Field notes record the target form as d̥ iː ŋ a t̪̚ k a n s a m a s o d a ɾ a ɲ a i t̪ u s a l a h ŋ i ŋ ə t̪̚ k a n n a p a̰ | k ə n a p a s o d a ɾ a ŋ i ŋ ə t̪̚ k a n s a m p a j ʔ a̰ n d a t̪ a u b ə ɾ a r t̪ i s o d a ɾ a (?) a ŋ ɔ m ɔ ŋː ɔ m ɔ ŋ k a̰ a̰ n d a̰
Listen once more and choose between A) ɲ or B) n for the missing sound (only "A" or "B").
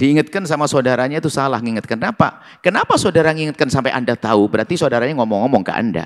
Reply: A